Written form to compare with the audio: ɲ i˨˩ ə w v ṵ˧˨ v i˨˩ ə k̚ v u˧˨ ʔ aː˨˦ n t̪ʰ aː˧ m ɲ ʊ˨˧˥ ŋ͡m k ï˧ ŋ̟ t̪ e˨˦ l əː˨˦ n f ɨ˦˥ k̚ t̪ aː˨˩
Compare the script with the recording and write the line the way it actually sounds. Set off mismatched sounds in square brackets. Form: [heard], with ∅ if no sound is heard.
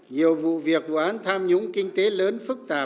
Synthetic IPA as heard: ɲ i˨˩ ə w v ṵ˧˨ v i˨˩ ə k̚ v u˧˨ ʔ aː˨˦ n t̪ʰ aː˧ m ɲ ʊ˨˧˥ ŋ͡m k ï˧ ŋ̟ t̪ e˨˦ l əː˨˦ n f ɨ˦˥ k̚ t̪ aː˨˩